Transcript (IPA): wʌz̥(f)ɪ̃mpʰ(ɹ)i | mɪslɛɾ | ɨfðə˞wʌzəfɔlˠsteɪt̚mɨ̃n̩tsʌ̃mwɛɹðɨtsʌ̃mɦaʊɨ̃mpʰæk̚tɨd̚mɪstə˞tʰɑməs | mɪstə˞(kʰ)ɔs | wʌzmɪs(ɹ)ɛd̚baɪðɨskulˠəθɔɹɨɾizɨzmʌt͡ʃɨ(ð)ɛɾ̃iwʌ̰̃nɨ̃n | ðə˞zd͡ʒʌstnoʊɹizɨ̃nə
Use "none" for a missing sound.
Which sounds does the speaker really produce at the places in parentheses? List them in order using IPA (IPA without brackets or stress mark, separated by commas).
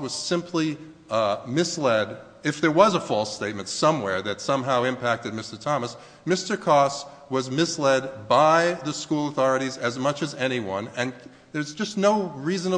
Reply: s, l, kʰ, l, z